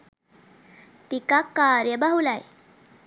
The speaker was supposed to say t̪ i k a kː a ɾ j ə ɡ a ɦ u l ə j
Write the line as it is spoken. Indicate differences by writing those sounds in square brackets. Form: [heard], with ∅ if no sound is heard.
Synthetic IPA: t̪ i k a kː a ɾ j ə [b] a ɦ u l [a] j